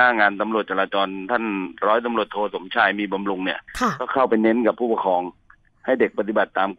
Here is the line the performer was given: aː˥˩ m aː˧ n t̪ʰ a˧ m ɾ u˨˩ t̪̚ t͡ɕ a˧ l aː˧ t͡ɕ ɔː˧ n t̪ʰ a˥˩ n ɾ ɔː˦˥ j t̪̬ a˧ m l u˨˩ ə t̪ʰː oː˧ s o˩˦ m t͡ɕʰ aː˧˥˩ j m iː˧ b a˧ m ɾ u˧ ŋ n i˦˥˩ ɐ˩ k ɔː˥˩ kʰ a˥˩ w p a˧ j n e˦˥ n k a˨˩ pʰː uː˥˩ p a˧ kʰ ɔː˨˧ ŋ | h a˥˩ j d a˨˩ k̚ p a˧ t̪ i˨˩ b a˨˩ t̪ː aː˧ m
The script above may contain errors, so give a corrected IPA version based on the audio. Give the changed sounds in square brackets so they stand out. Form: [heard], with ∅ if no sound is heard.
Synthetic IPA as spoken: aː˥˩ [ŋ] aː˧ n [t̪] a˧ m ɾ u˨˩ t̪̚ t͡ɕ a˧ l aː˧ t͡ɕ ɔː˧ n t̪ʰ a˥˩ n ɾ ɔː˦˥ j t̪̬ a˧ m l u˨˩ ə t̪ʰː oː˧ s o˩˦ m t͡ɕʰ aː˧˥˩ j m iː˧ b a˧ m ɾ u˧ ŋ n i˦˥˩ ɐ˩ k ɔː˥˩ kʰ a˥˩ w p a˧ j n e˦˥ n k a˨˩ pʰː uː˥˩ p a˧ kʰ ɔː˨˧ ŋ | h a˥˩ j d [e˨˩] k̚ p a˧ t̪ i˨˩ b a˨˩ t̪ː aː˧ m